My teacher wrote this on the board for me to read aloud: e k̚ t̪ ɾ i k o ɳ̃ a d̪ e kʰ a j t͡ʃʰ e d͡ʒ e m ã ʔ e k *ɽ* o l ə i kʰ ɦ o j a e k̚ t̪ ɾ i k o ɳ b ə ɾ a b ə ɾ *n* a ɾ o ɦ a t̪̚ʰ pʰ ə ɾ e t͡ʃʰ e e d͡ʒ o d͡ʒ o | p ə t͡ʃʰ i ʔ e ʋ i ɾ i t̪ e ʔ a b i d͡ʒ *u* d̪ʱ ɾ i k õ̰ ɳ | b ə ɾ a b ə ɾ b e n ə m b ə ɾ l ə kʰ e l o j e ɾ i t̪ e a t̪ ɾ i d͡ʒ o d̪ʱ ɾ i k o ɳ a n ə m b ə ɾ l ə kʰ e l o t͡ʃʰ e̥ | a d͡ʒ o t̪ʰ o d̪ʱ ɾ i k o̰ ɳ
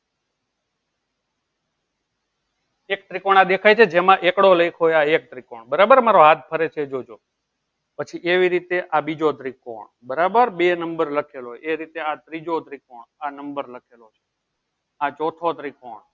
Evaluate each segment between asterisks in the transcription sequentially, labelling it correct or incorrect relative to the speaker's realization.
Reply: correct, incorrect, incorrect

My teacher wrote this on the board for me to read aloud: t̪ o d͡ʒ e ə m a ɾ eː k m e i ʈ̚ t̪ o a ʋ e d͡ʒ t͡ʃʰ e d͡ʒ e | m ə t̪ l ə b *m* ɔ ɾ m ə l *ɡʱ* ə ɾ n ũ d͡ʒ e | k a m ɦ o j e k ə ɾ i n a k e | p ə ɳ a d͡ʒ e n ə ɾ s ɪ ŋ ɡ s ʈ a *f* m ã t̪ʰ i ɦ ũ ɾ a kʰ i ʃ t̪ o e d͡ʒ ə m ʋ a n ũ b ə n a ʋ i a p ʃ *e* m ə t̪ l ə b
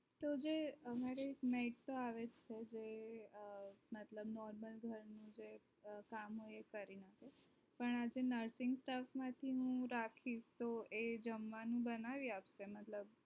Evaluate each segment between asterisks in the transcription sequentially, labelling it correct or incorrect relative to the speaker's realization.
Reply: incorrect, correct, correct, correct

